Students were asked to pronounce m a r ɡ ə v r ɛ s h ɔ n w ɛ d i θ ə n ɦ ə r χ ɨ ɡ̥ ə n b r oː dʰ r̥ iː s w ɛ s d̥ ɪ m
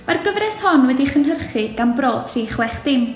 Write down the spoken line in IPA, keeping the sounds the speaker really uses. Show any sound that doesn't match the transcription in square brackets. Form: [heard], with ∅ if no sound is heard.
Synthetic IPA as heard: m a r ɡ ə v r ɛ s h ɔ n w ɛ d i [χ] ə n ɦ ə r χ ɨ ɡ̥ [a] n b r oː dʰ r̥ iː [χ] w ɛ [χ] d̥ ɪ m